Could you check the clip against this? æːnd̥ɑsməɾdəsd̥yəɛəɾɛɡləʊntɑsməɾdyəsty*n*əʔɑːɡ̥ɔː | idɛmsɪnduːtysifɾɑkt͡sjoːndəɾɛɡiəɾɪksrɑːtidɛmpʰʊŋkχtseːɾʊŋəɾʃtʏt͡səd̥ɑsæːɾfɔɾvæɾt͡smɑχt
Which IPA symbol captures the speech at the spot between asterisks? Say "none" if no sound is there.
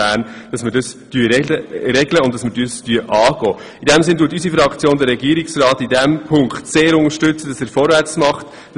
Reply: none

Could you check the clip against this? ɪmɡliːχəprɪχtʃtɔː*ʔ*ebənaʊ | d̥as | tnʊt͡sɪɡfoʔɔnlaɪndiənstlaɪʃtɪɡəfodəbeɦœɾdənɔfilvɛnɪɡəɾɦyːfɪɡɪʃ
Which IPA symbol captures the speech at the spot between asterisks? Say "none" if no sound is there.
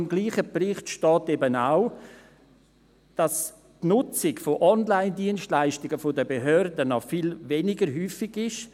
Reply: t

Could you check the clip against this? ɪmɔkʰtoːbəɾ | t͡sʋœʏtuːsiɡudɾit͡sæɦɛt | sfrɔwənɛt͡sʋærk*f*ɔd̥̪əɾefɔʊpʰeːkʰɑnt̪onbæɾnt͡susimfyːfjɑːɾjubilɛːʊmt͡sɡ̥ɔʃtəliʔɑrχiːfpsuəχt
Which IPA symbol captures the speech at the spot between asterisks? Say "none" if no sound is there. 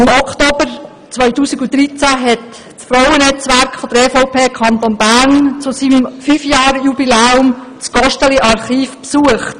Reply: f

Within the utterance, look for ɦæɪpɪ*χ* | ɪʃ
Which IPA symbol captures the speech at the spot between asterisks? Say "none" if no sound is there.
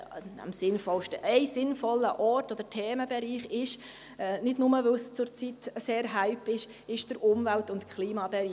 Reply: ʃ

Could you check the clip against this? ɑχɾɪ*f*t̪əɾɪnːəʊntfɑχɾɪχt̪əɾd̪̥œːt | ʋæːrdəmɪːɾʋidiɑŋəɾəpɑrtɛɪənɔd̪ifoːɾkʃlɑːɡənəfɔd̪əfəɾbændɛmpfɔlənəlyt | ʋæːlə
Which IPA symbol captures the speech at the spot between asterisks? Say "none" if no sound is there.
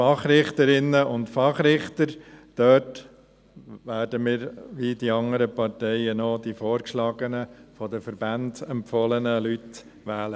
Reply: χ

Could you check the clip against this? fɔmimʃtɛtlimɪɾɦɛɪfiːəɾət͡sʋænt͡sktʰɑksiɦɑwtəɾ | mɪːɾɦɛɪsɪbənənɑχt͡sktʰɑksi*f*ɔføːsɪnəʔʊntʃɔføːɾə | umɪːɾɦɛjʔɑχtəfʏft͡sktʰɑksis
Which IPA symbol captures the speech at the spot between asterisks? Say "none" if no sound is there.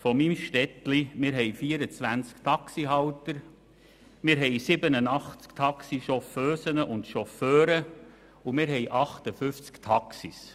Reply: ʃ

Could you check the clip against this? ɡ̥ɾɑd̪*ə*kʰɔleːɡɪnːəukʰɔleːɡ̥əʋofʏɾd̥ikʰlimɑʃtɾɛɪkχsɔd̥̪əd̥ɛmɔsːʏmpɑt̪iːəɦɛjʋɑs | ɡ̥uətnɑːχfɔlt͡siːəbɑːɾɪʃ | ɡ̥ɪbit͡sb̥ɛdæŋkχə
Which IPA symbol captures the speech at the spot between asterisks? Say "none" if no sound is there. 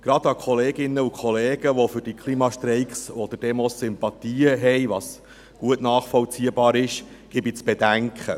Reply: ɑ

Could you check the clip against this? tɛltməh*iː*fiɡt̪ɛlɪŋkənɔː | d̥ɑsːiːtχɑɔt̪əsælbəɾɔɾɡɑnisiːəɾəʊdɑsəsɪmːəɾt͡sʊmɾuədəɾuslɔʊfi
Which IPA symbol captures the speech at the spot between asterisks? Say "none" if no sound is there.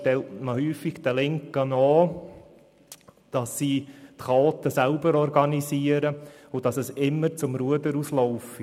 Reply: yː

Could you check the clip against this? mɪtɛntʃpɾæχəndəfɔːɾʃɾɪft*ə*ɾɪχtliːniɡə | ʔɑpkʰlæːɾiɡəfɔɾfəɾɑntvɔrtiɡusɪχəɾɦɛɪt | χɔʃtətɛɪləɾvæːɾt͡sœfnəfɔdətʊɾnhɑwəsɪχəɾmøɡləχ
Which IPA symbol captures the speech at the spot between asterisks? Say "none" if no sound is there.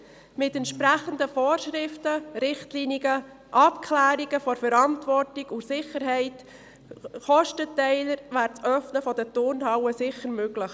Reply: ə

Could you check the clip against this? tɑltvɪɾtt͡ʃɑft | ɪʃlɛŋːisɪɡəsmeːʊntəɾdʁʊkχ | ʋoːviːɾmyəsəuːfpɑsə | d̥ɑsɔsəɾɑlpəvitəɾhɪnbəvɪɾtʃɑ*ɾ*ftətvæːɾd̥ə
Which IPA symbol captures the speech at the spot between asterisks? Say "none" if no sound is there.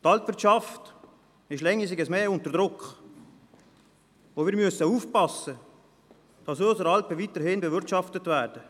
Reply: none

